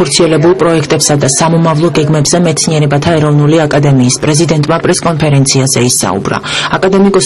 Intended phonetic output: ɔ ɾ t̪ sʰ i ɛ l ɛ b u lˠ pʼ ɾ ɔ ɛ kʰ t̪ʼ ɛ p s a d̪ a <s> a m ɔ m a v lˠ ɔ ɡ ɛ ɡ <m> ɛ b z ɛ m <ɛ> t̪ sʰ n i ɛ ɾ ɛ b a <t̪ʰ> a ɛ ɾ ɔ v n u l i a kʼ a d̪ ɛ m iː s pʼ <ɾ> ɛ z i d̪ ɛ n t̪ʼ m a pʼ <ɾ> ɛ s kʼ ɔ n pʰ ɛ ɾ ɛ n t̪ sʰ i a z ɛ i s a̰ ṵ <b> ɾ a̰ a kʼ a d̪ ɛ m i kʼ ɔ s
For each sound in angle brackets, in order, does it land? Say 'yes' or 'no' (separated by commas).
yes, yes, yes, yes, yes, yes, yes